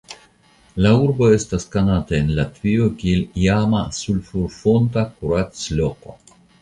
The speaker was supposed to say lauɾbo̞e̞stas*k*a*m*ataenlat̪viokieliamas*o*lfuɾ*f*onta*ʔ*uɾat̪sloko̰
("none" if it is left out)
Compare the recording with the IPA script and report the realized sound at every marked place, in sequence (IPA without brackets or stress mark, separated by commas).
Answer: k, n, u, f, k